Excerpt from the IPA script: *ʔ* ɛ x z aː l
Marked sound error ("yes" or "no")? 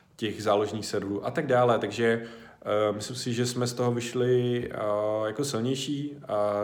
yes